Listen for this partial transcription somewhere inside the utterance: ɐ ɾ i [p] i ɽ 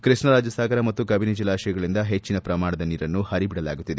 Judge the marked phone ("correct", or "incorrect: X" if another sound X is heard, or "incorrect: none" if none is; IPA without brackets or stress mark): incorrect: b